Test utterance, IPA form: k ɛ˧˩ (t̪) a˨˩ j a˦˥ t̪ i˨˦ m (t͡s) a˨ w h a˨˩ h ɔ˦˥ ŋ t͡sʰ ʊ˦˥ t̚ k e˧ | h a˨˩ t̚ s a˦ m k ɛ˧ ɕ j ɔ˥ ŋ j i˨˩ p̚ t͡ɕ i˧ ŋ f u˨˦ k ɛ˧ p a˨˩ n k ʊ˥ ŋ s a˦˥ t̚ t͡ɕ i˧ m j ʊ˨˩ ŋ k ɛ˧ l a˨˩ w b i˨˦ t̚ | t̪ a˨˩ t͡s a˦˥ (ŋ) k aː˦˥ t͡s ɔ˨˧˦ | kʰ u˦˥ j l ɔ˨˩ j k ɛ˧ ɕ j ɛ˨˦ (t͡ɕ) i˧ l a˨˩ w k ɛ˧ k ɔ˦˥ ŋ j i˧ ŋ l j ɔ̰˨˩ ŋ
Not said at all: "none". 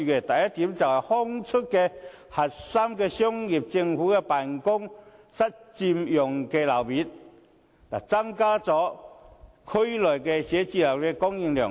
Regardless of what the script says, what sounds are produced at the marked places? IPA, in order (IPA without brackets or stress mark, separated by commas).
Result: t̪, t͡s, ŋ, t͡ɕ